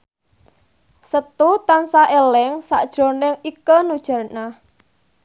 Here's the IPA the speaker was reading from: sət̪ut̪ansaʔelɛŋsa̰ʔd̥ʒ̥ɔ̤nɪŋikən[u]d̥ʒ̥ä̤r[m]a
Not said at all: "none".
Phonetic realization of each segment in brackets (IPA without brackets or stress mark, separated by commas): u, n